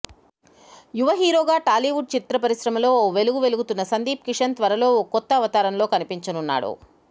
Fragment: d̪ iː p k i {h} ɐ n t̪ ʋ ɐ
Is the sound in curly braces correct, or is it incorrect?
incorrect